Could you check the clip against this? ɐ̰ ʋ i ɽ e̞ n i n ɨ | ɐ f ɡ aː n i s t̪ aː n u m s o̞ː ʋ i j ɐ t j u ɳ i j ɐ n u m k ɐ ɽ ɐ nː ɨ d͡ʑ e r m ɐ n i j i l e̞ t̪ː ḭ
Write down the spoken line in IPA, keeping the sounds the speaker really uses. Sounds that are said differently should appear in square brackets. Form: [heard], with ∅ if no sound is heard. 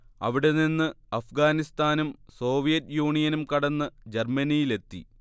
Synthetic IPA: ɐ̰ ʋ i ɽ e̞ n i [nː] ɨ | ɐ f ɡ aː n i s t̪ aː n u m s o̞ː ʋ i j ɐ t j [uː] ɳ i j ɐ n u m k ɐ ɽ ɐ nː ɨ d͡ʑ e r m ɐ n i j i l e̞ t̪ː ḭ